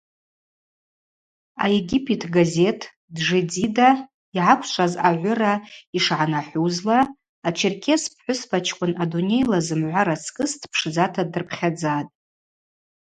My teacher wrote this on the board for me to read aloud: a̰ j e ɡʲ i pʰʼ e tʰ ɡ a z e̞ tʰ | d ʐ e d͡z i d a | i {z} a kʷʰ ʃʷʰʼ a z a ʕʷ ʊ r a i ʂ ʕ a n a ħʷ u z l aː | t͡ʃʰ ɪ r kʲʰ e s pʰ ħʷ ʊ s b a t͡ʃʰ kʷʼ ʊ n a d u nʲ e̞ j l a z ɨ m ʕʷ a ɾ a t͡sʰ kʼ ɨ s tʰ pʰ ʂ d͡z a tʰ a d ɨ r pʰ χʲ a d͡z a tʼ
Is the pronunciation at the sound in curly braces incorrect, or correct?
incorrect